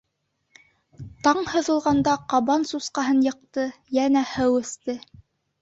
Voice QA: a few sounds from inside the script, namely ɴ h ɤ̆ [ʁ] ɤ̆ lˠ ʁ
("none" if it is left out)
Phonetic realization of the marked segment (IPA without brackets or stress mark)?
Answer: ð